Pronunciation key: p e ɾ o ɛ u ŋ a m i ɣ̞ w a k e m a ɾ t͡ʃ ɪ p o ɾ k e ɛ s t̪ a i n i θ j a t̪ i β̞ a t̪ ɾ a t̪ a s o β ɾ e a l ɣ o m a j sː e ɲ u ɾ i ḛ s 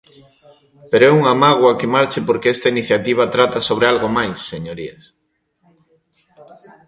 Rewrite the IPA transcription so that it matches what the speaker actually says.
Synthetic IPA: p e ɾ o ɛ u ŋ a m a ɣ̞ w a k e m a ɾ t͡ʃ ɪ p o ɾ k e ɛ s t̪ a i n i θ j a t̪ i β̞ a t̪ ɾ a t̪ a s o β ɾ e a l ɣ o m a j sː e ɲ o ɾ i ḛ s

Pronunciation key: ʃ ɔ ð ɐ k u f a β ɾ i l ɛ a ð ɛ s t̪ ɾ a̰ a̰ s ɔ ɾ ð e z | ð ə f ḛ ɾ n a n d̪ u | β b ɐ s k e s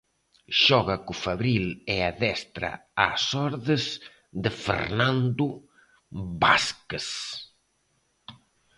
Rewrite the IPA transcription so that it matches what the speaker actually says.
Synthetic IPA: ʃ ɔ ɣ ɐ k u f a β ɾ i l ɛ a ð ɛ s t̪ ɾ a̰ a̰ s ɔ ɾ ð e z | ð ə f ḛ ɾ n a n d̪ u | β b a s k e s

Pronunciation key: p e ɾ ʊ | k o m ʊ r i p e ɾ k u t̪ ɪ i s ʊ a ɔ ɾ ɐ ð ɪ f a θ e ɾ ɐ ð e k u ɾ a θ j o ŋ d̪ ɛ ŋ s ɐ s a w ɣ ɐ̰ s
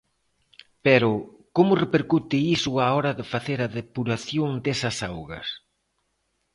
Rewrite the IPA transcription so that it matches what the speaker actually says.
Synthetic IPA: p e ɾ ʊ | k o m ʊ r e p e ɾ k u t̪ ɪ i s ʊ a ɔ ɾ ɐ ð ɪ f a θ e ɾ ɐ ð e p u ɾ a θ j o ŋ d̪ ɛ s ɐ s a w ɣ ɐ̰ s

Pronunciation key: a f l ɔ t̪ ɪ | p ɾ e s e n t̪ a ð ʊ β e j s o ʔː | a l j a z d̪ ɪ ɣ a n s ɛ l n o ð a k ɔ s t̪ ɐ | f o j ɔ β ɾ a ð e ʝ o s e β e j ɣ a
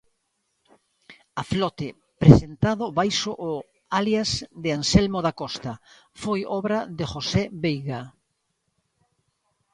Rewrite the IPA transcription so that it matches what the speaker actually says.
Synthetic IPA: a f l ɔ t̪ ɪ | p ɾ e s e n t̪ a ð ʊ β a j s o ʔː | a l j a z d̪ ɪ a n s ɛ l m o ð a k ɔ s t̪ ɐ | f o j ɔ β ɾ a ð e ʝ o s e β e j ɣ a

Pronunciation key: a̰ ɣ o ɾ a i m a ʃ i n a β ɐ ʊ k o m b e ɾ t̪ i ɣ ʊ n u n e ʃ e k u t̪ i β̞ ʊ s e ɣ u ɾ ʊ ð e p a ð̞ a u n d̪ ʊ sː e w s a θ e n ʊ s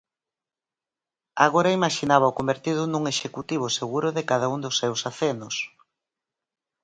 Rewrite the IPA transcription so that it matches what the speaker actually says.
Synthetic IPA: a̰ ɣ o ɾ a i m a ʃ i n a β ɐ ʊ k o m b e ɾ t̪ i ð ʊ n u ŋ e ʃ e k u t̪ i β̞ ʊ s e ɣ u ɾ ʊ ð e k a ð̞ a u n d̪ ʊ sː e w s a θ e n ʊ s

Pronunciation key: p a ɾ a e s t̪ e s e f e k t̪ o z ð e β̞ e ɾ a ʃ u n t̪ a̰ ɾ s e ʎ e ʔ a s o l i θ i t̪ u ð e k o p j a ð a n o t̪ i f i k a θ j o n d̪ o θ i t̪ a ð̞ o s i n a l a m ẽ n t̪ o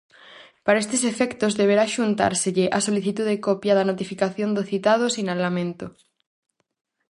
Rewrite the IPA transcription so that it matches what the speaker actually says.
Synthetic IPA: p a ɾ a e s t̪ e s e f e k t̪ o z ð e β̞ e ɾ a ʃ u n t̪ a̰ ɾ s e ʎ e ʔ a s o l i θ i t̪ u ð e k o p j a ð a n o t̪ i f i k a θ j o n d̪ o θ i t̪ a ð̞ o s i n a l a m ẽ n t̪ o

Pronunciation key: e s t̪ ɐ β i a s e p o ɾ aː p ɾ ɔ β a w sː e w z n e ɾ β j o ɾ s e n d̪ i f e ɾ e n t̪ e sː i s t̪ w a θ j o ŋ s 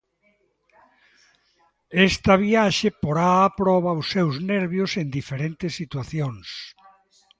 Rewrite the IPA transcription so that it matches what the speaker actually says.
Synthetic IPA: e s t̪ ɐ β i a ʃ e p o ɾ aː p ɾ ɔ β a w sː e w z n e ɾ β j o s e n d̪ i f e ɾ e n t̪ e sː i t̪ w a θ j o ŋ s

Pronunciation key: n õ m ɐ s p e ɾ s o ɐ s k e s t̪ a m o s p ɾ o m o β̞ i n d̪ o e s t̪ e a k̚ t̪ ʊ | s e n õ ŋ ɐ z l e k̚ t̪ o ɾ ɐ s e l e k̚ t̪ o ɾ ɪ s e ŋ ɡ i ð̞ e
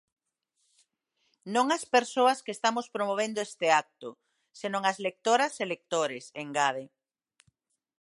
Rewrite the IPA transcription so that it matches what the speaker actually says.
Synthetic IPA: n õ ŋ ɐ s p e ɾ s o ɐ s k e s t̪ a m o s p ɾ o m o β̞ e n d̪ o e s t̪ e a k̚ t̪ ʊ | s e n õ ŋ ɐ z l e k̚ t̪ o ɾ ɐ s e l e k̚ t̪ o ɾ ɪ s e ŋ ɡ a ð̞ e

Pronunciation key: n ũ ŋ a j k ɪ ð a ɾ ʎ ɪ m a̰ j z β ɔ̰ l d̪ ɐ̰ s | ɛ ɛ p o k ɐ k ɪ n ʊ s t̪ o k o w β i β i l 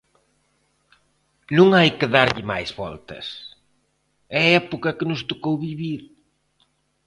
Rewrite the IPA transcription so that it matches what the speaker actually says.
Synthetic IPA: n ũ ŋ a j k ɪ ð a ɾ ʎ ɪ m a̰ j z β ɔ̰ l t̪ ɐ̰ s | ɛ ɛ p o k ɐ k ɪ n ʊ s t̪ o k o w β i β i ɾ

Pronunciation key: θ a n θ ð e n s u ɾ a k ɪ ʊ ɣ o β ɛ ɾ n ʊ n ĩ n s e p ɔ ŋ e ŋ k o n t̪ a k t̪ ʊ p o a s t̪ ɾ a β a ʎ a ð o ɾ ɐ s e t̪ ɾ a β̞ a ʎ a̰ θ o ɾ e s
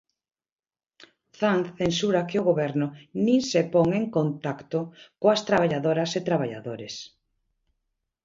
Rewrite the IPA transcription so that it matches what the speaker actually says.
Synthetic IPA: θ a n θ θ e n s u ɾ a k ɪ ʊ ɣ o β ɛ ɾ n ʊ n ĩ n s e p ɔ ŋ e ŋ k o n t̪ a k t̪ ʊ k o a s t̪ ɾ a β a ʎ a ð o ɾ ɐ s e t̪ ɾ a β̞ a ʎ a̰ ð o ɾ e s

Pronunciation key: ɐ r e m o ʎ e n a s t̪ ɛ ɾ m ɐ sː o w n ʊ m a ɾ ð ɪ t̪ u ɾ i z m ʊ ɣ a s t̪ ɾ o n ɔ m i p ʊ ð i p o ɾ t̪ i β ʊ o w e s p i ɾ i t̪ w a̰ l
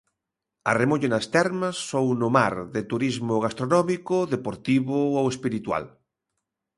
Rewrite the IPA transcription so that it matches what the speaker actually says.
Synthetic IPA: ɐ r e m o ʎ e n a s t̪ ɛ ɾ m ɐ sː o w n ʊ m a ɾ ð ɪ t̪ u ɾ i z m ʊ ɣ a s t̪ ɾ o n ɔ m i k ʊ ð e p o ɾ t̪ i β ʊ o w e s p i ɾ i t̪ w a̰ l

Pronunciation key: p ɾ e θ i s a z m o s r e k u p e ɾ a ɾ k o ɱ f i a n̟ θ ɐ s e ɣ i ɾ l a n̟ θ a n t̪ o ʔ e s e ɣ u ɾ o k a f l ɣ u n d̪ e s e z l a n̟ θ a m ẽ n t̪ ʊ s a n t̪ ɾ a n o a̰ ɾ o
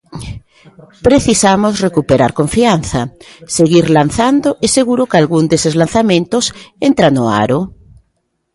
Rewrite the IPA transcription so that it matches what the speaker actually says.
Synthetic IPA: p ɾ e θ i s a m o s r e k u p e ɾ a ɾ k o ɱ f i a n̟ θ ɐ s e ɣ i ɾ l a n̟ θ a n d̪ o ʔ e s e ɣ u ɾ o k a l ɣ u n d̪ e s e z l a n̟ θ a m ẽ n t̪ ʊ s e n t̪ ɾ a n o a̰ ɾ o

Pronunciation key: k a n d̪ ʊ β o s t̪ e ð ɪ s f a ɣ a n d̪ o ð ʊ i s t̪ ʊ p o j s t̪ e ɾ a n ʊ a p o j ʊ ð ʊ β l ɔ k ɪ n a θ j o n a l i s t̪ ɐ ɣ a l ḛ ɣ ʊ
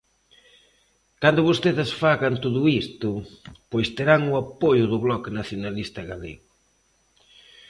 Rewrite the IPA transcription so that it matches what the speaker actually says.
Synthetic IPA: k a n d̪ ʊ β o s t̪ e ð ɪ s f a ɣ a n t̪ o ð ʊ i s t̪ ʊ p o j s t̪ e ɾ a ŋ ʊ a p o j ʊ ð ʊ β l ɔ k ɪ n a θ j o n a l i s t̪ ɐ ɣ a l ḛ ɣ ʊ

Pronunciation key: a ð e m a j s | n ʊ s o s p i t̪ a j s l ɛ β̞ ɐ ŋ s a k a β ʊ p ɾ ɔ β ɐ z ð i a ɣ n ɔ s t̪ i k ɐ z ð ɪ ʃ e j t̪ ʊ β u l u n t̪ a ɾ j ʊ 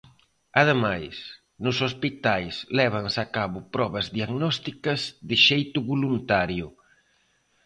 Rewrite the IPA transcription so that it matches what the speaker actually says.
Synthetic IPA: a ð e m a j s | n ʊ s o s p i t̪ a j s l ɛ β̞ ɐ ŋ s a k a β ʊ p ɾ ɔ β ɐ z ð i a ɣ n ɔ s t̪ i k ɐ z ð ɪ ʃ e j t̪ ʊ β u l u n t̪ a ɾ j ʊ

